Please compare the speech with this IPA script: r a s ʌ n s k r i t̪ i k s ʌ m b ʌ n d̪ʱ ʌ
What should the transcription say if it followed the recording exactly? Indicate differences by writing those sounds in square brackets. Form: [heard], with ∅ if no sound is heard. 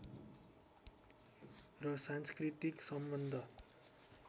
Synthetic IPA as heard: r [ʌ] s [a] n s k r i t̪ i k s ʌ m b ʌ n d̪ʱ ʌ